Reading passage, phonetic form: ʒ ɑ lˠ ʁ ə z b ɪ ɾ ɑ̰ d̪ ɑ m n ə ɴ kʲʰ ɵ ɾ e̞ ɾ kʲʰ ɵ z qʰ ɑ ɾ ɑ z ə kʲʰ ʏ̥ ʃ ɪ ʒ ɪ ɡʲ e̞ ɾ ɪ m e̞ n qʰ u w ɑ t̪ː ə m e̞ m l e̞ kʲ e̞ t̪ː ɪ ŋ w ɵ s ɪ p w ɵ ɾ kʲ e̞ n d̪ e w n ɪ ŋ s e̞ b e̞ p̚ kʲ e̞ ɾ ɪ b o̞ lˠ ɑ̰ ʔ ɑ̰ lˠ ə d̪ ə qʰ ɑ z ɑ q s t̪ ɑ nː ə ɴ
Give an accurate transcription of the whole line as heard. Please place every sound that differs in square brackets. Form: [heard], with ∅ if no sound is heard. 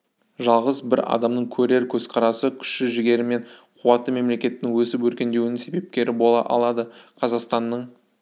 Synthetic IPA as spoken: ʒ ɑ lˠ ʁ ə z b ɪ ɾ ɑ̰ d̪ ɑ m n ə ɴ kʲʰ ɵ ɾ e̞ ɾ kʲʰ ɵ z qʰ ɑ ɾ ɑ [s] ə kʲʰ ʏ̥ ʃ ɪ ʒ ɪ ɡʲ e̞ ɾ ɪ m e̞ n qʰ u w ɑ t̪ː ə m e̞ m l e̞ kʲ e̞ t̪ː ɪ ŋ w ɵ s ɪ p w ɵ ɾ kʲ e̞ n d̪ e w n ɪ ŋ s e̞ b e̞ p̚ kʲ e̞ ɾ ɪ b o̞ lˠ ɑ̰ ʔ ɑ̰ lˠ [ɑ] d̪ ə qʰ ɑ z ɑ q s t̪ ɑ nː ə ɴ